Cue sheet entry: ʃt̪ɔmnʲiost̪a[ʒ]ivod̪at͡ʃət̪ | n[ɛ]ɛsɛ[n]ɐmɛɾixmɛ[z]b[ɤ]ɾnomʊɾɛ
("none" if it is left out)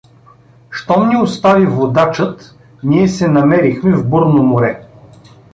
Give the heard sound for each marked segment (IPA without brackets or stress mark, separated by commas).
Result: v, i, n, v, ɤ